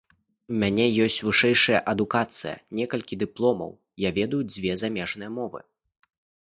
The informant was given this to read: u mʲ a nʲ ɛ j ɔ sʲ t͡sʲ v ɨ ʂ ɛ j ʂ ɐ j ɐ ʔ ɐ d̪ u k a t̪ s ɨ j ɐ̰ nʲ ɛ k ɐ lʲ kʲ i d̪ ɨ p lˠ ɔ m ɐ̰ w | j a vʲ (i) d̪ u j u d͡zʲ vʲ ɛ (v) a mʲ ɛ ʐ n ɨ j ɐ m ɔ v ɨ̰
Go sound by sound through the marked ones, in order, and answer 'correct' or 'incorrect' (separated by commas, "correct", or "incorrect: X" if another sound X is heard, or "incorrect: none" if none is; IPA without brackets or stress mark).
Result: incorrect: ɛ, incorrect: z